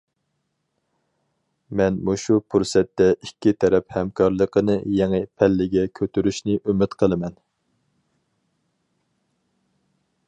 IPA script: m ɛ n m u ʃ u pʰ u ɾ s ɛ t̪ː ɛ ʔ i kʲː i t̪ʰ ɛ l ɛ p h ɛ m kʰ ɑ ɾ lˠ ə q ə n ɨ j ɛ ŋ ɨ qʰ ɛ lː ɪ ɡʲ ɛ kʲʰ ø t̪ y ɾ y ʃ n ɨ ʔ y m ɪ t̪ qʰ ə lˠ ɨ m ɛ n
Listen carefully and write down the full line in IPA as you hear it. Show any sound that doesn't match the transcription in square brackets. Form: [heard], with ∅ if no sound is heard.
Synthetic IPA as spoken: m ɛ n m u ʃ u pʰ u ɾ s ɛ t̪ː ɛ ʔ i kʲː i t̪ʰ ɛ [ɾ] ɛ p h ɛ m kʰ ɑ ɾ lˠ ə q ə n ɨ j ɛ ŋ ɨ [pʰ] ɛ lː ɪ ɡʲ ɛ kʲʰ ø t̪ y ɾ y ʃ n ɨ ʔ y m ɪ t̪ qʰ ə lˠ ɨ m ɛ n